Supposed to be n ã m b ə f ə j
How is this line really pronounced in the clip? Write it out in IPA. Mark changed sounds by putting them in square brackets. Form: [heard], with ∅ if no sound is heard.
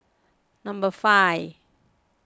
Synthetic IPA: n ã m b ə f [a] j